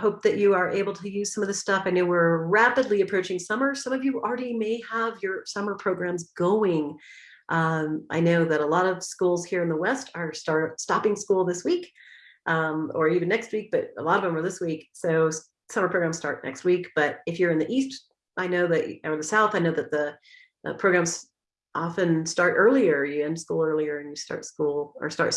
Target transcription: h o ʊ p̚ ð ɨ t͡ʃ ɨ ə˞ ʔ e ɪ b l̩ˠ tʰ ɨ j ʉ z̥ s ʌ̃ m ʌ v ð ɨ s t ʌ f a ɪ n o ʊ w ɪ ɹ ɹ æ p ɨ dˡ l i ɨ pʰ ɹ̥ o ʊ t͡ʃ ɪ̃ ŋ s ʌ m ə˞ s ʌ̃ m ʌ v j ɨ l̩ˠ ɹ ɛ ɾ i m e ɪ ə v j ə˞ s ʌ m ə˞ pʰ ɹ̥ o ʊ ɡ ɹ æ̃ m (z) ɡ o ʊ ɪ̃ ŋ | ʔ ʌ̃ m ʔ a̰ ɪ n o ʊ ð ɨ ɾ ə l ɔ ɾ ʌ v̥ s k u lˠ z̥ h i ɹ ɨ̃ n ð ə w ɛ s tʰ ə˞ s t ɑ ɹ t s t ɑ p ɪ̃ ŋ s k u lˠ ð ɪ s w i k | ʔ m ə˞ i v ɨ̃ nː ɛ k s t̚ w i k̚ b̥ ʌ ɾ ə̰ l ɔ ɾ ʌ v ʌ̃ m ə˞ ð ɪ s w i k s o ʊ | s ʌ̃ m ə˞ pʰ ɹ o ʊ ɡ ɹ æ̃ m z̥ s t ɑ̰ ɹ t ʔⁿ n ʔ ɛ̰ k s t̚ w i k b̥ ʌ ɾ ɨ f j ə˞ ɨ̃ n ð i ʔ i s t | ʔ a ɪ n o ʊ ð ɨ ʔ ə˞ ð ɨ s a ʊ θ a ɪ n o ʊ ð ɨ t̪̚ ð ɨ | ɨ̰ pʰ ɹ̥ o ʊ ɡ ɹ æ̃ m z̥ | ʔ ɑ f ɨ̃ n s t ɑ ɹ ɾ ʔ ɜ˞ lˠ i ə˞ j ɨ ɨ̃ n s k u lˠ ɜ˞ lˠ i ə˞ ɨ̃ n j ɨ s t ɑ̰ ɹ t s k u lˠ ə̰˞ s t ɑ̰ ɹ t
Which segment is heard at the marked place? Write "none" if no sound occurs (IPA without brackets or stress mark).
z